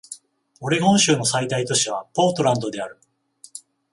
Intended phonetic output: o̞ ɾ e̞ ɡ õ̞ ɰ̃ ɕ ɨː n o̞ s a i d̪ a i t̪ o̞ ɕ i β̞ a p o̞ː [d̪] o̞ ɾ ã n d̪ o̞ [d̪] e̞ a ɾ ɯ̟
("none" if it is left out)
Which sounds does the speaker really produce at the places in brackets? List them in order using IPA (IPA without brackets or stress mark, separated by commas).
t̪, d̪